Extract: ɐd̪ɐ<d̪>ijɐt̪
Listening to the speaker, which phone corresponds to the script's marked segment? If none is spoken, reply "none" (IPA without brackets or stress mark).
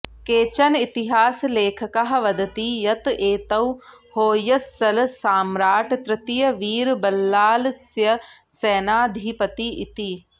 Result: t̪